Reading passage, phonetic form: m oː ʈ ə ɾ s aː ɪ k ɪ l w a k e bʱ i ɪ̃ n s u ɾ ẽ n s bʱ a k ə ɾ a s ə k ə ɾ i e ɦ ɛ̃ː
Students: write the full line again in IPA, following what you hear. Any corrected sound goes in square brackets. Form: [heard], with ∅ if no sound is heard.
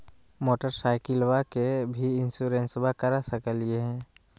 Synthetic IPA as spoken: m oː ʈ ə ɾ s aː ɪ k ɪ l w a k e bʱ i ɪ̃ n s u ɾ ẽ n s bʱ a k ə ɾ a s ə k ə [l] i e ɦ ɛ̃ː

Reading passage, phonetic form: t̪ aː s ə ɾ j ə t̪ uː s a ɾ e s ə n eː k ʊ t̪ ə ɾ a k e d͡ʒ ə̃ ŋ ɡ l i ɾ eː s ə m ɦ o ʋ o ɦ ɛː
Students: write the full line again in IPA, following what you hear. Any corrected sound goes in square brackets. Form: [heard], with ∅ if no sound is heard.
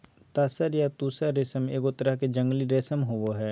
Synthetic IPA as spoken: t̪ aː s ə ɾ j [a] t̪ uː s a ɾ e s ə [m] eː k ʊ t̪ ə ɾ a k e d͡ʒ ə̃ ŋ ɡ l i ɾ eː s ə m ɦ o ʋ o ɦ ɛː

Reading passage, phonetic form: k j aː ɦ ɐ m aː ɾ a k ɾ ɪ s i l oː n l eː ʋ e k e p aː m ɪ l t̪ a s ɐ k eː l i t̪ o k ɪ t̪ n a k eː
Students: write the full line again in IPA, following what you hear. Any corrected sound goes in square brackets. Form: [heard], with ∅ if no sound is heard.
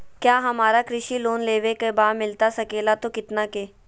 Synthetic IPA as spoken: k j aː ɦ ɐ m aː ɾ a k ɾ ɪ [ʃ] i l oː n l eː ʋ e k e [b] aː m ɪ l t̪ a s ɐ k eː l [a] t̪ o k ɪ t̪ n a k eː

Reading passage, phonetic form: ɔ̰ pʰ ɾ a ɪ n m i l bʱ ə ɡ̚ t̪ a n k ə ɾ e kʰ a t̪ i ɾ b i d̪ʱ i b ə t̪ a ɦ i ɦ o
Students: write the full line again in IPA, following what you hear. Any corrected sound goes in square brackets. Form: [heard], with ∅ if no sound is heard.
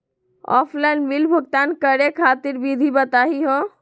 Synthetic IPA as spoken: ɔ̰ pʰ [l] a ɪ n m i l bʱ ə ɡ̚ t̪ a n k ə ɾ e kʰ a t̪ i ɾ b i d̪ʱ i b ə t̪ a ɦ i ɦ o

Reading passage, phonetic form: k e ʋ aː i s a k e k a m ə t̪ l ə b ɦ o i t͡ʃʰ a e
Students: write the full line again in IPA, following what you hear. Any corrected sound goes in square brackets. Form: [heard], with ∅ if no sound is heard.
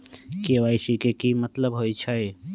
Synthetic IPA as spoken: k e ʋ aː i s [i] k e k [i] m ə t̪ l ə b ɦ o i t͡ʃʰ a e

